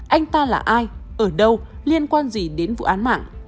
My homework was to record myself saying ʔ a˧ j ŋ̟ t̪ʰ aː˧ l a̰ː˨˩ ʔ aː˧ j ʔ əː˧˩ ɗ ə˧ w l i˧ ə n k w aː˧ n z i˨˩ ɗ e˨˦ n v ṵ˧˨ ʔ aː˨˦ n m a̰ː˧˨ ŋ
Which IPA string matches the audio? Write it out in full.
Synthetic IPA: ʔ a˧ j ŋ̟ t̪ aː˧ l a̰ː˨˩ ʔ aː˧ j ʔ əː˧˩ ɗ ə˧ w l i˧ ə n k w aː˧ n z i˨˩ ɗ e˨˦ n v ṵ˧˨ ʔ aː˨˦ n m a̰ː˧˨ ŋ